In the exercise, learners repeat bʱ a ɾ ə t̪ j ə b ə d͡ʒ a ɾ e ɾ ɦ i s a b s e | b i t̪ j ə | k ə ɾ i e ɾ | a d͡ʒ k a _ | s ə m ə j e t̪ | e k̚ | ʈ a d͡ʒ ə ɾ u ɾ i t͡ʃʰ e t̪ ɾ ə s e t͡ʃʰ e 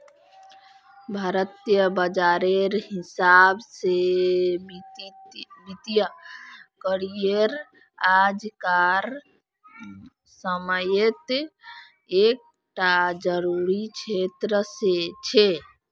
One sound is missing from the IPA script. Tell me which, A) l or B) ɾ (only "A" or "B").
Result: B